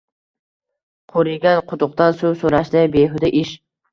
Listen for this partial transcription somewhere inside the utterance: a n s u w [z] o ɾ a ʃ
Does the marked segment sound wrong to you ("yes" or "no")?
yes